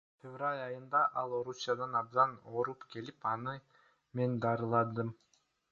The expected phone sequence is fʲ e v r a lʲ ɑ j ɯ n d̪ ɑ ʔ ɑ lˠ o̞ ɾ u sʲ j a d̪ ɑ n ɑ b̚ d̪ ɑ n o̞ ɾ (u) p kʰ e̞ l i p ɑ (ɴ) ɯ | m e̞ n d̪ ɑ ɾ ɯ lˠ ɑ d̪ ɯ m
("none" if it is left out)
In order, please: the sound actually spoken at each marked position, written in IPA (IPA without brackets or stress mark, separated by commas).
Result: u, n